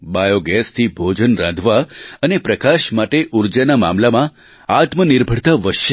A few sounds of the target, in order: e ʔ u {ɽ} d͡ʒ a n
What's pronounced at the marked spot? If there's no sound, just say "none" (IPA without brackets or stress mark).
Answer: ɾ